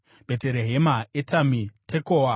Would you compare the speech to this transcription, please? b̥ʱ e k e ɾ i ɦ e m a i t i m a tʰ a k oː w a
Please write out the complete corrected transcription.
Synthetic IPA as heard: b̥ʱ e t e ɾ e ɦ e m a e t a m i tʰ e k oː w a